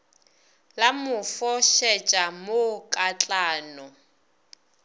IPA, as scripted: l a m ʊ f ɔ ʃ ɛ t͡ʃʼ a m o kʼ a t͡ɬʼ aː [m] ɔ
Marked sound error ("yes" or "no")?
yes